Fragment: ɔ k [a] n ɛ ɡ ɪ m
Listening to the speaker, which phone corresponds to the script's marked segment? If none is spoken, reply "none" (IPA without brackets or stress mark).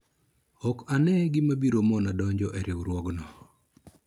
a